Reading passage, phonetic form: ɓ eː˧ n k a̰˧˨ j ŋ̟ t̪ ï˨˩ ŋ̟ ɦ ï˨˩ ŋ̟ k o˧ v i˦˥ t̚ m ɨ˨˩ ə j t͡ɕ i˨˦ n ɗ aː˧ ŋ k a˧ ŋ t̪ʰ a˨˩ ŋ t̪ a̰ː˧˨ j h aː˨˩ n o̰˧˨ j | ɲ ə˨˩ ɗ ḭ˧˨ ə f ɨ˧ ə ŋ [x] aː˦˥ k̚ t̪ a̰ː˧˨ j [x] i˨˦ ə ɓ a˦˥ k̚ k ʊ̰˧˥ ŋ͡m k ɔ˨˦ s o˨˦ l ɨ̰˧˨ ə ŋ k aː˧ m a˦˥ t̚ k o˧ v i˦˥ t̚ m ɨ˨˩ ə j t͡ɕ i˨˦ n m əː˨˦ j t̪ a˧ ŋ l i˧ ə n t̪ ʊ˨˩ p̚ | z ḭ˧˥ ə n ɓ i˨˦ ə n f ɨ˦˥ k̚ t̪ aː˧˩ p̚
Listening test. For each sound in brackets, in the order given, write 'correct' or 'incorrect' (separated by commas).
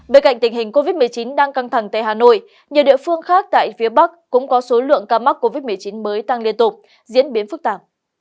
correct, incorrect